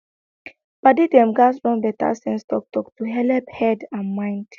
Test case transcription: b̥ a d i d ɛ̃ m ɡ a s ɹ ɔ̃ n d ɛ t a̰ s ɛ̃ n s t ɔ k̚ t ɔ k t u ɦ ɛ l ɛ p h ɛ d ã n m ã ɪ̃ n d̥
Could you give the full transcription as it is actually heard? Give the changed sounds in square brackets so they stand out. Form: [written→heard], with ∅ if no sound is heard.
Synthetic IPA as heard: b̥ a d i d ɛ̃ m ɡ a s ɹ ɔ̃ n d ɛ t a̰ s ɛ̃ n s t ɔ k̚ t ɔ k t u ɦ ɛ l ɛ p h ɛ d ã n m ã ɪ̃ n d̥